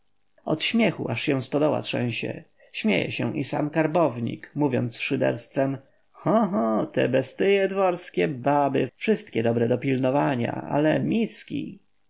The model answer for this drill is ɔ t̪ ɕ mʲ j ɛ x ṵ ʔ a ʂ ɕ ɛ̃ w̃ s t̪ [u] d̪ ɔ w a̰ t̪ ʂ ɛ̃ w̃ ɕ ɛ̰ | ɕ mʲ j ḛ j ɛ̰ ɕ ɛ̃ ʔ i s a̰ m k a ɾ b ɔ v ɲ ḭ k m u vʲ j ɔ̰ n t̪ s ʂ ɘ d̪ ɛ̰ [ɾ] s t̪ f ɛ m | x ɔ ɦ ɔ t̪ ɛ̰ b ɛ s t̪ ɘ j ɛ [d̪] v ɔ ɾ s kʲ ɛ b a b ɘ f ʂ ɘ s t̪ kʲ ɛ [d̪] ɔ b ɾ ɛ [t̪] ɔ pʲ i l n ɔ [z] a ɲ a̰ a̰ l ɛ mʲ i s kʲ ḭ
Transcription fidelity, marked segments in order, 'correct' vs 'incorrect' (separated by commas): incorrect, correct, correct, correct, incorrect, incorrect